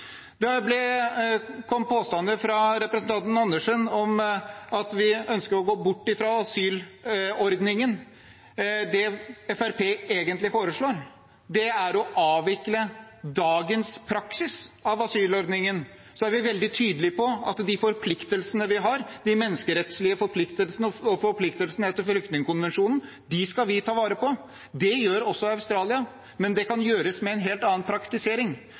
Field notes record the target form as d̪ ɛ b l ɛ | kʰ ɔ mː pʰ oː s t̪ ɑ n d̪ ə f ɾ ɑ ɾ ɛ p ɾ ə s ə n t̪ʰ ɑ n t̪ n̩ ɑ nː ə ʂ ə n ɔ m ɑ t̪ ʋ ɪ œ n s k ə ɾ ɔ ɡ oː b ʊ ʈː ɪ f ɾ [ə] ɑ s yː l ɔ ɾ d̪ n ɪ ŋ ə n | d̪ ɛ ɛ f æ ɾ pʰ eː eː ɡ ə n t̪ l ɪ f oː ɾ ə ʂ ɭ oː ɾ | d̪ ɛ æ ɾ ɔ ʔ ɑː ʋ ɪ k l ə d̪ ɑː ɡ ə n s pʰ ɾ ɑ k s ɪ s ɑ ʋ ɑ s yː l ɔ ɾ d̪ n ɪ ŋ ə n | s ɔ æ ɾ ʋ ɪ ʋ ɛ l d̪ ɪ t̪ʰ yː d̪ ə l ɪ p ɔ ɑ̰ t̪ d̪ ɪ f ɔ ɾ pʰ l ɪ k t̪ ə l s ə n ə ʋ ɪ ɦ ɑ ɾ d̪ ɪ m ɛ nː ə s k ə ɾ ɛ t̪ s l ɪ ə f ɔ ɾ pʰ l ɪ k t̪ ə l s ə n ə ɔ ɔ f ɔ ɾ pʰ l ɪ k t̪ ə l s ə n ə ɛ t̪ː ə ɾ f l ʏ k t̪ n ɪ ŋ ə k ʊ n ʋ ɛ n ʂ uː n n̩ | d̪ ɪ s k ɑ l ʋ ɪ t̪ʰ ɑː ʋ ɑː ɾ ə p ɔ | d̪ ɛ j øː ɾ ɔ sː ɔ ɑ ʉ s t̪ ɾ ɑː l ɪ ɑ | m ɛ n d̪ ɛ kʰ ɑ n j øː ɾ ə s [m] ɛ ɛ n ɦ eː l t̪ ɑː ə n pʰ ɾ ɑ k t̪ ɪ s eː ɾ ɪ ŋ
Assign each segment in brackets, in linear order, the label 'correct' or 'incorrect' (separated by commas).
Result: incorrect, correct